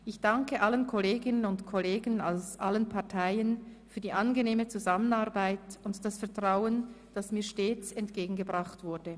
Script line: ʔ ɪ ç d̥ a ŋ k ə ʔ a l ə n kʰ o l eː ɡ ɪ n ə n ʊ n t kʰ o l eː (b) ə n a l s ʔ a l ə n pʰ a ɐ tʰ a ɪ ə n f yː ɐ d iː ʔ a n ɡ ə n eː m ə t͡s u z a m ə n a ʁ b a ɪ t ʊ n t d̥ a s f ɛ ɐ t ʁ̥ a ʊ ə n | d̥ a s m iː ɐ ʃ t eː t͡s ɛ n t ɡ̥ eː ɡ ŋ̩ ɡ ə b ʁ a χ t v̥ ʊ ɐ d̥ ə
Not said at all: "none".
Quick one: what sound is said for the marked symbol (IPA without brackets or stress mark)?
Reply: ɡ